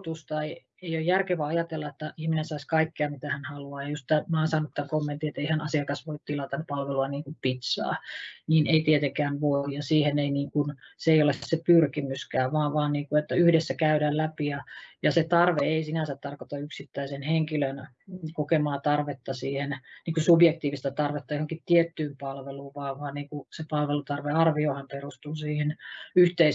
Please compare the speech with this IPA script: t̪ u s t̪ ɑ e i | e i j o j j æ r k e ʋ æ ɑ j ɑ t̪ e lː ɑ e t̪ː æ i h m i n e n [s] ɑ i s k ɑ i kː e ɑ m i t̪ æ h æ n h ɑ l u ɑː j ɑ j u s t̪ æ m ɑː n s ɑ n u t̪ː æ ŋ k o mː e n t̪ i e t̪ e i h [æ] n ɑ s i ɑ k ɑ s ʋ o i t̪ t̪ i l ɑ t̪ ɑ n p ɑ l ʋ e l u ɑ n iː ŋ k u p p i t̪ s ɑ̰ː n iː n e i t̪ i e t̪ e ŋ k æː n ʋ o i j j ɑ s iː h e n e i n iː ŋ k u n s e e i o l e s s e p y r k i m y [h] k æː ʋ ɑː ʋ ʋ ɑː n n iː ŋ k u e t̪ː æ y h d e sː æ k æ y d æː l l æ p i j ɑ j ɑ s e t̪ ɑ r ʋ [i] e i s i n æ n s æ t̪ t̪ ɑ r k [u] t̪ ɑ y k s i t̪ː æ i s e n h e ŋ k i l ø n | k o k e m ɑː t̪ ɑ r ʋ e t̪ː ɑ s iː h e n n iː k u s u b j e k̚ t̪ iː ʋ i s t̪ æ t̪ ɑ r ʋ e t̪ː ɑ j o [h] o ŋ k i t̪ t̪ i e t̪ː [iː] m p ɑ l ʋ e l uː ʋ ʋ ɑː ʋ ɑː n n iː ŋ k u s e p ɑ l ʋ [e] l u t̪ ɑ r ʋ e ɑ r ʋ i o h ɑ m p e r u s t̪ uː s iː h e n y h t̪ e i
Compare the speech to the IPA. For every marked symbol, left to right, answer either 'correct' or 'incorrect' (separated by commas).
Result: correct, correct, incorrect, incorrect, incorrect, correct, incorrect, correct